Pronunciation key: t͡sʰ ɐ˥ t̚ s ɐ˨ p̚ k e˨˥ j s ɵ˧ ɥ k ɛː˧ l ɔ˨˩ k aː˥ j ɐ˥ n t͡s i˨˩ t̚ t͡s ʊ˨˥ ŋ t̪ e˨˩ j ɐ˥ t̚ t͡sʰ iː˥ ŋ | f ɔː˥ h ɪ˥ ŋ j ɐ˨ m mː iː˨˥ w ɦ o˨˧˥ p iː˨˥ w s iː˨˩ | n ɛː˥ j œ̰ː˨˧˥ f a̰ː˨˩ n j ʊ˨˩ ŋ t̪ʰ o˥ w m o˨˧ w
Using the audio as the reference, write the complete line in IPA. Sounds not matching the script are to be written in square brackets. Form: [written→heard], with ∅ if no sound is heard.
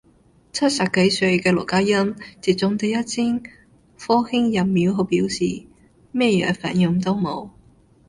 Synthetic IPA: t͡sʰ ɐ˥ t̚ s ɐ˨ p̚ k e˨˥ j s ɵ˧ ɥ k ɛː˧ l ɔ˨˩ k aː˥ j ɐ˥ n t͡s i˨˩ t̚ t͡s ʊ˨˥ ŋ t̪ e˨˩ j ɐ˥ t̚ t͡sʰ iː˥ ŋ | f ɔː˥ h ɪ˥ ŋ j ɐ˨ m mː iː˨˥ w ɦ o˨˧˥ p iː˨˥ w s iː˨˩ | [n→m] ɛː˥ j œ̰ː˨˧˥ f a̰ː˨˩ n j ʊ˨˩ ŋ [t̪ʰ→t̪] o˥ w m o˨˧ w